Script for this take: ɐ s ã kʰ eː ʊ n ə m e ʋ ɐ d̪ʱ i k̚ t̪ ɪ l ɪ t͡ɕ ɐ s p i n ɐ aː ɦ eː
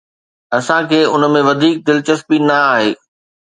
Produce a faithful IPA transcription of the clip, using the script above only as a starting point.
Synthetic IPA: ɐ s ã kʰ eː ʊ n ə m ẽ ʋ ɐ d̪ʱ iː k̚ d̪ ɪ l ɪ t͡ɕ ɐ s p i n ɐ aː ɦ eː

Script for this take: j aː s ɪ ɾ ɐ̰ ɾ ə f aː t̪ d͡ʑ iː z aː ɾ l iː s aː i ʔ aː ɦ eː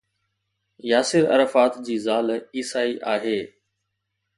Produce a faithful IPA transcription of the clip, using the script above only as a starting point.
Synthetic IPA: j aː s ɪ ɾ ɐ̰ ɾ ə f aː t̪ d͡ʑ iː z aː l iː s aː i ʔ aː ɦ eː

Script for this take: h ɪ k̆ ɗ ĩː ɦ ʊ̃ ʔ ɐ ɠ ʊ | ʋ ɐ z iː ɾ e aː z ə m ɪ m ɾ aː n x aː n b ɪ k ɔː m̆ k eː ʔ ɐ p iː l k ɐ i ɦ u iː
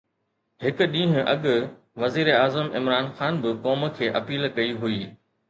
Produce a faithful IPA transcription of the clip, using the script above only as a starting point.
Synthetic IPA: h ɪ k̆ ɗ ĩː ɦ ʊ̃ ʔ ɐ ɠ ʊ | ʋ ɐ z iː ɾ e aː z ə m ɪ m ɾ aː n x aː n b ɪ k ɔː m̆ kʰ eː ʔ ɐ p iː l k ɐ i ɦ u iː

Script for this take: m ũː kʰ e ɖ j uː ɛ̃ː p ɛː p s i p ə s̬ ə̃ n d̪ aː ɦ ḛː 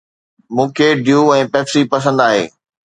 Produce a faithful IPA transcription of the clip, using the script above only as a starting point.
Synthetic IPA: m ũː kʰ e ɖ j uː ɛ̃ː p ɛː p s i p ɐ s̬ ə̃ n d̪ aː ɦ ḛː

